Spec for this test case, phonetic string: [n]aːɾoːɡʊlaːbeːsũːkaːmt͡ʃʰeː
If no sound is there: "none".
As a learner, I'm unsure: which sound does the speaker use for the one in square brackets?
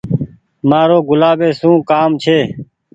m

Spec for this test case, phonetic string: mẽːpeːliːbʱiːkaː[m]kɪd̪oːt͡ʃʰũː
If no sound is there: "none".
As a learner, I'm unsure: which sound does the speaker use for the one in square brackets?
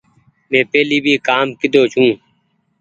m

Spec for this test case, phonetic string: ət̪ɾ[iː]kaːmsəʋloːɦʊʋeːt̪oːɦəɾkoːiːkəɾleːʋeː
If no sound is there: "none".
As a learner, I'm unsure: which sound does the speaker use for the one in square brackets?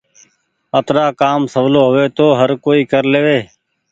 aː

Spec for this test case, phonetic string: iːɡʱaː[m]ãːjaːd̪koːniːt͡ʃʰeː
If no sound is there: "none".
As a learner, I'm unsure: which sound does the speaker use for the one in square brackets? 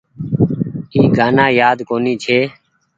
n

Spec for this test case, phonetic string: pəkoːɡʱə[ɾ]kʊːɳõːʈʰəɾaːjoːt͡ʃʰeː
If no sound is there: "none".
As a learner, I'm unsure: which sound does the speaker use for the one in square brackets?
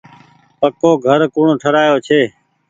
ɾ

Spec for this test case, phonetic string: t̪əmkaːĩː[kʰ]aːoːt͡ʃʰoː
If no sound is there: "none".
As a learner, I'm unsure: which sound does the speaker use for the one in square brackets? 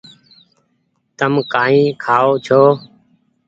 kʰ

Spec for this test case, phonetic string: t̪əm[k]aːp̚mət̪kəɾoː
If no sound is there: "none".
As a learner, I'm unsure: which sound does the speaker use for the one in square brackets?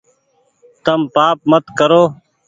p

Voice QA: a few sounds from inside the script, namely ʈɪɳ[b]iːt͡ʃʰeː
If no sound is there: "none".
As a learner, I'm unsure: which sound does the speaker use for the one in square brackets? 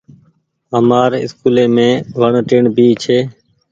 b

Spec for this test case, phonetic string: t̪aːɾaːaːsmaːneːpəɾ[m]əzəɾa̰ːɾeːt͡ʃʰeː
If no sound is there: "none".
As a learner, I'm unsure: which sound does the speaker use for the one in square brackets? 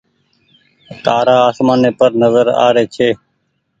n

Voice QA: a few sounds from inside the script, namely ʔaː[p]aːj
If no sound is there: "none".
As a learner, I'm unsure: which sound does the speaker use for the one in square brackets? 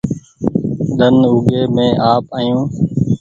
p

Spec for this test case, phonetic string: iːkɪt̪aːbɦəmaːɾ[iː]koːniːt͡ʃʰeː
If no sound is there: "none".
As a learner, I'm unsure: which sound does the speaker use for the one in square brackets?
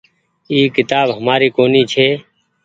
iː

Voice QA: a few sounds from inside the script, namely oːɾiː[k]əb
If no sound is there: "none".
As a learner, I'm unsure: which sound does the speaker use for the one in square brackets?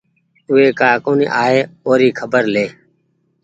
kʰ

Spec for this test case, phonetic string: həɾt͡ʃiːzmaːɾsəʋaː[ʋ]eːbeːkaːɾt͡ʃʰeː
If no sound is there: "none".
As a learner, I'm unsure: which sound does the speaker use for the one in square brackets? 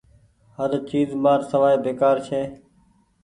none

